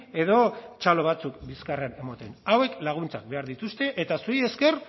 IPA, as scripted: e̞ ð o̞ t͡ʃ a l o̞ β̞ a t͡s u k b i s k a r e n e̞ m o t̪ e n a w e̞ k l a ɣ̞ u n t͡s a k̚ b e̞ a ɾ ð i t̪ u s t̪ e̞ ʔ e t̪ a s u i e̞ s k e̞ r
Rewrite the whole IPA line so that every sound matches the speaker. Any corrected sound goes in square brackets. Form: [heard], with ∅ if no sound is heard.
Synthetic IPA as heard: e̞ ð o̞ t͡ʃ a l o̞ β̞ a t͡s u k b i s k a r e n e̞ m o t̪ e n a w e̞ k l a ɣ̞ u n t͡s a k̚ b e̞ a ɾ ð i t̪ u s t̪ e̞ ʔ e t̪ a s u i e̞ s k e̞ r

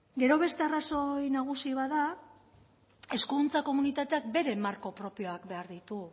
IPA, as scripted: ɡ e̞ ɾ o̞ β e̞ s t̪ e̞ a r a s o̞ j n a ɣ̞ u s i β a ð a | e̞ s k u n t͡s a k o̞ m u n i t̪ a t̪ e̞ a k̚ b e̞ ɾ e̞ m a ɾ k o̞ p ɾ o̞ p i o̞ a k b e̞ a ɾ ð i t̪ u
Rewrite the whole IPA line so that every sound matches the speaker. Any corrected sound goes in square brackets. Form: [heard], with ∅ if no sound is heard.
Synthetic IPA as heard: ɡ e̞ ɾ o̞ β e̞ s t̪ e̞ a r a s o̞ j n a ɣ̞ u s i β a ð a | e̞ s k u n t͡s a k o̞ m u n i t̪ a t̪ e̞ a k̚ b e̞ ɾ e̞ m a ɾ k o̞ p ɾ o̞ p i o̞ a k b e̞ a ɾ ð i t̪ u

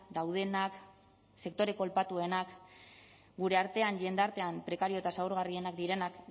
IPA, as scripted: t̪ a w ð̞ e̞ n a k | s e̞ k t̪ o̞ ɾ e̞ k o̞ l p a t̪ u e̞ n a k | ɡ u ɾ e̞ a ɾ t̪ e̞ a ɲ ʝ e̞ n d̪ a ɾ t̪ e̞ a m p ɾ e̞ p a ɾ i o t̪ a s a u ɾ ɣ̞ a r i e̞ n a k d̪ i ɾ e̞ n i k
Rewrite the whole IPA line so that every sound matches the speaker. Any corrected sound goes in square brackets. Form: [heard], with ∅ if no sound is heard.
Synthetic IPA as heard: [d̪] a w ð̞ e̞ n a k | s e̞ k t̪ o̞ ɾ e̞ k o̞ l p a t̪ u e̞ n a k | ɡ u ɾ e̞ a ɾ t̪ e̞ a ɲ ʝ e̞ n d̪ a ɾ t̪ e̞ a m p ɾ e̞ [k] a ɾ i o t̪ a s a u ɾ ɣ̞ a r i e̞ n a k d̪ i ɾ e̞ n [a] k

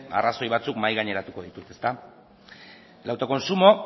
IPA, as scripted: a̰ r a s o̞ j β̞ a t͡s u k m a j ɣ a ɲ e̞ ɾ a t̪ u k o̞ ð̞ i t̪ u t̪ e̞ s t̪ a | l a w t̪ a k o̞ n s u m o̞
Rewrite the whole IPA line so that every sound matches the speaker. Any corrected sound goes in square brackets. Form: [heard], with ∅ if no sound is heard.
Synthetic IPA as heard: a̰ r a s o̞ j β̞ a t͡s u k m a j ɣ a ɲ e̞ ɾ a t̪ u k o̞ ð̞ i t̪ u t̪ e̞ s t̪ a | l a w t̪ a k o̞ n s u m o̞

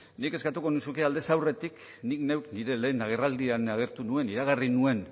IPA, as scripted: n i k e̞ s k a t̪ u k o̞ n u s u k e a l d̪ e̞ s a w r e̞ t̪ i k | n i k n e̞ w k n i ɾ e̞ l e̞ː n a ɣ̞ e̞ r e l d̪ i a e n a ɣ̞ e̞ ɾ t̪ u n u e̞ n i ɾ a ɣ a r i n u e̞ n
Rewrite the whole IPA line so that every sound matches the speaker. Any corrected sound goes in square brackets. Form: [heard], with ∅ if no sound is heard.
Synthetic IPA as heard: n i k e̞ s k a t̪ u k o̞ n u s u k e a l d̪ e̞ s a w r e̞ t̪ i k | n i k n e̞ w k n i ɾ e̞ l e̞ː n a ɣ̞ e̞ r [a] l d̪ i a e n a ɣ̞ e̞ ɾ t̪ u n u e̞ n i ɾ a ɣ a r i n u e̞ n

